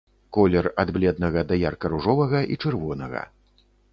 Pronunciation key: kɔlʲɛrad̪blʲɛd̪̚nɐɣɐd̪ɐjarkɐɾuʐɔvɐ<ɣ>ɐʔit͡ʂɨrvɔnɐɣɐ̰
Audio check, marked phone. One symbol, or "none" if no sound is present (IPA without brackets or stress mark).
ɣ